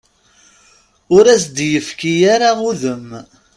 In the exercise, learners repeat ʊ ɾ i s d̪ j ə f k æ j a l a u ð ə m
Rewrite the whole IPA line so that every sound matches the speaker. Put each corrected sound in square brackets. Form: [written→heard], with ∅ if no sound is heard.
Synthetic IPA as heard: ʊ ɾ [i→æ] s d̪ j ə f k [æ→i] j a [l→ɾ] a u ð ə m